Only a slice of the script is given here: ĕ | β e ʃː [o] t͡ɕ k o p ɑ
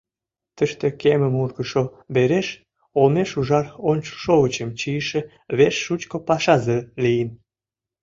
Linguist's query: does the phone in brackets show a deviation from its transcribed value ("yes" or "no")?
yes